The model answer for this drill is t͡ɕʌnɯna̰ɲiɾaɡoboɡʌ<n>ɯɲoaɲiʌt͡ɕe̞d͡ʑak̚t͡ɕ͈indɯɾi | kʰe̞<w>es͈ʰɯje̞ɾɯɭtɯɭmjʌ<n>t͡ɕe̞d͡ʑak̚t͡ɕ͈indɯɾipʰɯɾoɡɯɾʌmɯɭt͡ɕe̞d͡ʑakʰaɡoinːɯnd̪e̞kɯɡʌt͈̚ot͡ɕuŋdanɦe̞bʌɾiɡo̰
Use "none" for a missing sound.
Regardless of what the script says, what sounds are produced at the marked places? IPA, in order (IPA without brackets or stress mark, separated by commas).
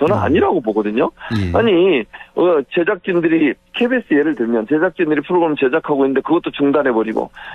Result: d, b, n